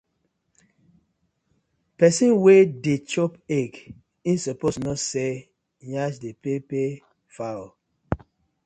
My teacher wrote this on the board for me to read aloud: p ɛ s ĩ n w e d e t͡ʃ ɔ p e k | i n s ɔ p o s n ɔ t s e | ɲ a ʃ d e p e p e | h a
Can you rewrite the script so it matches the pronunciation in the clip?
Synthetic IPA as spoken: p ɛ s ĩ n w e d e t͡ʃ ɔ p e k | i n s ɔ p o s n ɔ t s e | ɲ a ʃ d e p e p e | f a